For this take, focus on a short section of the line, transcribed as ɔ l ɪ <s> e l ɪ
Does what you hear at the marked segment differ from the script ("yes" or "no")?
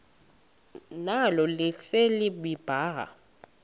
no